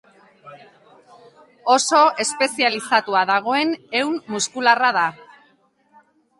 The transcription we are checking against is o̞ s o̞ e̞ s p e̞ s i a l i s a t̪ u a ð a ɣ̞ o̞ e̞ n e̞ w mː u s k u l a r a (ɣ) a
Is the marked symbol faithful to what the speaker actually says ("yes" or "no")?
no